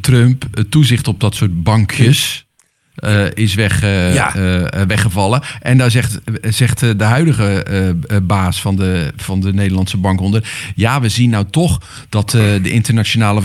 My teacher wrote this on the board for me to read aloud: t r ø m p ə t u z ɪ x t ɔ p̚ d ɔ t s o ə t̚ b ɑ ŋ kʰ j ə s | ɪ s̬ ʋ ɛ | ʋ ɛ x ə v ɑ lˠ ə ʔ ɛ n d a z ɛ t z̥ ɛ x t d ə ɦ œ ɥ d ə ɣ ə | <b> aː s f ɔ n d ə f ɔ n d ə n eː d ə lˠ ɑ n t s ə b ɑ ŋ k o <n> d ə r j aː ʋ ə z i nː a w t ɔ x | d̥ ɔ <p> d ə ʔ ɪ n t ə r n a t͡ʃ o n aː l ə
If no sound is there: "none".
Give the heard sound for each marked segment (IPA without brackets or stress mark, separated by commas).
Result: b, n, t